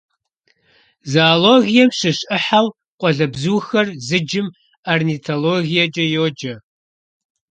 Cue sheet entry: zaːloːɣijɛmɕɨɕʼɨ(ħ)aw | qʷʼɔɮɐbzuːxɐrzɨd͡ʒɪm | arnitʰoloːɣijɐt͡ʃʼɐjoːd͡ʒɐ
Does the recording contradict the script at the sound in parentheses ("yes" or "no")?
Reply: no